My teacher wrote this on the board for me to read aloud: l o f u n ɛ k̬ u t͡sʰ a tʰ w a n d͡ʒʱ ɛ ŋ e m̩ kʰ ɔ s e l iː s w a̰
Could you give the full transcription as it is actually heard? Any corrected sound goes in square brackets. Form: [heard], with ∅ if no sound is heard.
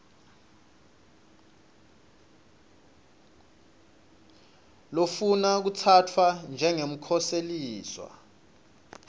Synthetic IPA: l o f u n [a] k̬ u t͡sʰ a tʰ w a n d͡ʒʱ ɛ ŋ e m̩ kʰ ɔ s e l iː s w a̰